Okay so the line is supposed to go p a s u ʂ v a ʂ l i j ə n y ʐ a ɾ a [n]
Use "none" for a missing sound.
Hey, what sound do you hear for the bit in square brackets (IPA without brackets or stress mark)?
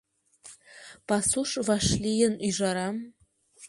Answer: m